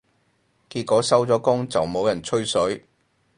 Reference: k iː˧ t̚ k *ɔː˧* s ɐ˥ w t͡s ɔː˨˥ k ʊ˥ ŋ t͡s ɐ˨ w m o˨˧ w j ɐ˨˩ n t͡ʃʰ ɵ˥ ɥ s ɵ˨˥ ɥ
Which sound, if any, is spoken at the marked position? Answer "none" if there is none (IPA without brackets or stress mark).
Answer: ɔː˨˥